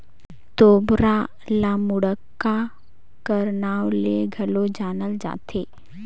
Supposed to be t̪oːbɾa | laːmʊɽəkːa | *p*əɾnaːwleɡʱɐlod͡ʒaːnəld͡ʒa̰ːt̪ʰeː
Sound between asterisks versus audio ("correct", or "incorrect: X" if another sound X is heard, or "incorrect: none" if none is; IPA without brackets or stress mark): incorrect: k